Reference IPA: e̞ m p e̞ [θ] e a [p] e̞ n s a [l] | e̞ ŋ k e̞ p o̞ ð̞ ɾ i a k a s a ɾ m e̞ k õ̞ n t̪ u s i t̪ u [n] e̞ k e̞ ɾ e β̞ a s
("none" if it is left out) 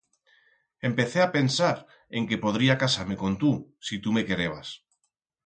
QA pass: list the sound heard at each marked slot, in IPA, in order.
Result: θ, p, ɾ, m

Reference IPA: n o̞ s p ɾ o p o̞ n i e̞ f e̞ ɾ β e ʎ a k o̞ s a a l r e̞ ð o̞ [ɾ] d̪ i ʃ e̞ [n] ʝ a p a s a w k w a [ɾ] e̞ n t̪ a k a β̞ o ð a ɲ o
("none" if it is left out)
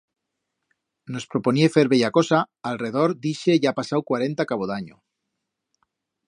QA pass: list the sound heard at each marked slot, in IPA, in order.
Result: ɾ, none, ɾ

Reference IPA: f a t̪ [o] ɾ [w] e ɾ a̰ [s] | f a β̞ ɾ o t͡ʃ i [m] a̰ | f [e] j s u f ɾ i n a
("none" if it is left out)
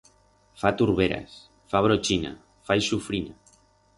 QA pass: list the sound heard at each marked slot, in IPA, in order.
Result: u, β, s, n, a

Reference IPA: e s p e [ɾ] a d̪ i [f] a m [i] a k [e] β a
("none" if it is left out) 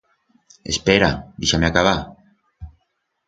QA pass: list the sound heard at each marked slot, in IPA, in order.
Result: ɾ, ʃ, e, a

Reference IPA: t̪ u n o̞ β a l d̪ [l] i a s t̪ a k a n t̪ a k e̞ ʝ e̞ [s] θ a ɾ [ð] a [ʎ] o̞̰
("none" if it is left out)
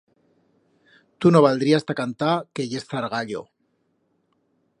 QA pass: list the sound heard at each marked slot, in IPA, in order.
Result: ɾ, s, ɣ, ʎ

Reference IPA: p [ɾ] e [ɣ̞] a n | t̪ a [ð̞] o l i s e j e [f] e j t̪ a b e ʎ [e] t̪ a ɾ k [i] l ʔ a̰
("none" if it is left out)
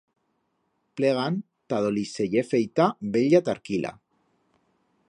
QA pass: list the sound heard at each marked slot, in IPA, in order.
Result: l, ɣ̞, ð̞, f, a, i

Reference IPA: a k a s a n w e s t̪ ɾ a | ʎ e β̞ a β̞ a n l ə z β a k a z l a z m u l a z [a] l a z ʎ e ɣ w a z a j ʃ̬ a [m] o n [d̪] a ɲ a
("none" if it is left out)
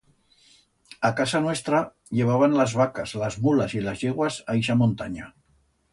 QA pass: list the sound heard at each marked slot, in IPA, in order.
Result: i, m, t̪

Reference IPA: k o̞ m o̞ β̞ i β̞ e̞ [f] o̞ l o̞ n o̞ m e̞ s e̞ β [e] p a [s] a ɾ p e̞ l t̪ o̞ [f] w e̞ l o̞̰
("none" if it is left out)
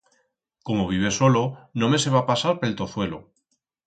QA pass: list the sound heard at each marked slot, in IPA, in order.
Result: s, a, s, θ

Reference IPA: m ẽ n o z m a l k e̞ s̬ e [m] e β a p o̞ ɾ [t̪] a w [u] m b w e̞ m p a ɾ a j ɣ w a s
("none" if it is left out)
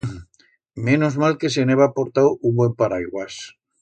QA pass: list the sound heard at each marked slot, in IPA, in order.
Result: n, t̪, u

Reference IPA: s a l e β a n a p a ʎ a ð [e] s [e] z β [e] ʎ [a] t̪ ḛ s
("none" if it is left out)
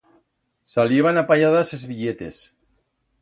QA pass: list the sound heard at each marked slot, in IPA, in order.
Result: a, e, i, e

